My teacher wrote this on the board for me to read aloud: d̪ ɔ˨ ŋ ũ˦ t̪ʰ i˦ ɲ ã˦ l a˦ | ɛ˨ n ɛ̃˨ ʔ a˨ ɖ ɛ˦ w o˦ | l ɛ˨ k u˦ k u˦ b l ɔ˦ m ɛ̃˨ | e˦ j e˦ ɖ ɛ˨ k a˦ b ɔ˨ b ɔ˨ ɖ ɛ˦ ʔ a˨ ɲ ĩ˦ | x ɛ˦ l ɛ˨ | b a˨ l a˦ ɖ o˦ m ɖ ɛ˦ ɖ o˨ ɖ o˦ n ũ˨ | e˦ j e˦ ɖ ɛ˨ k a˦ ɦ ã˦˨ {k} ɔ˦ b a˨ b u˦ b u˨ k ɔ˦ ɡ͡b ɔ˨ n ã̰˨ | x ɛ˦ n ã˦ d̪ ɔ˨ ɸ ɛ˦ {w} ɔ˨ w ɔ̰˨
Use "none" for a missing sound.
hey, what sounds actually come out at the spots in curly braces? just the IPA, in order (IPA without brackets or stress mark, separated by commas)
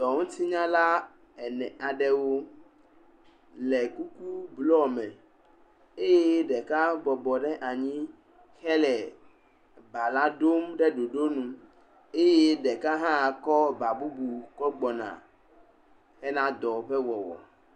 k, w